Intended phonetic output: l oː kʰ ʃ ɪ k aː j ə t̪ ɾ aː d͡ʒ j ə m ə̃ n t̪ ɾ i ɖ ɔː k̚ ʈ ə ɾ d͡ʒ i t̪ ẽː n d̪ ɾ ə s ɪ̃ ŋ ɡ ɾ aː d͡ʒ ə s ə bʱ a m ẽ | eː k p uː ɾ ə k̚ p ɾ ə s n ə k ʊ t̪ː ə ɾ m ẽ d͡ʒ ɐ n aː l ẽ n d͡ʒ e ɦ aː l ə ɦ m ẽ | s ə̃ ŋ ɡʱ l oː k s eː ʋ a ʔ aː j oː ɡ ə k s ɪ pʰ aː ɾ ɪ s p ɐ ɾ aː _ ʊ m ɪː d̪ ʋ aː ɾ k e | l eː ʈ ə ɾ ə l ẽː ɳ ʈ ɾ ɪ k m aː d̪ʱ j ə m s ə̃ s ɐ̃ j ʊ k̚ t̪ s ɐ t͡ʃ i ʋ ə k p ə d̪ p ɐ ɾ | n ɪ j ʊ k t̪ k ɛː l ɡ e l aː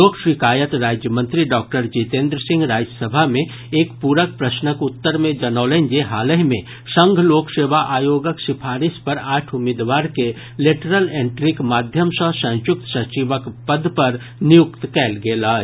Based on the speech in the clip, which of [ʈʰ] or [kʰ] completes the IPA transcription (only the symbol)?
ʈʰ